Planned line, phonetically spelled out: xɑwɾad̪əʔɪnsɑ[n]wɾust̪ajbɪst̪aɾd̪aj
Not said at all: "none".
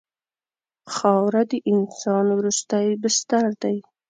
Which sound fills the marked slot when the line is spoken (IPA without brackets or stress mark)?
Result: n